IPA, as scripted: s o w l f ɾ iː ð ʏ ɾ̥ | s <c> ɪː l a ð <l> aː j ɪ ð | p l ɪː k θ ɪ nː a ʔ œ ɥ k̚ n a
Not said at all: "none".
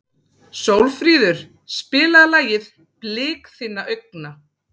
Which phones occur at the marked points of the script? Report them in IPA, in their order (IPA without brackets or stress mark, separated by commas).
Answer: p, l